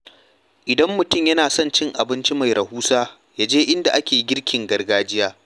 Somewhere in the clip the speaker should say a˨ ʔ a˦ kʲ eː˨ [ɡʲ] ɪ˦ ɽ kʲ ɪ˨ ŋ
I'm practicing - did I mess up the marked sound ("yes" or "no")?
no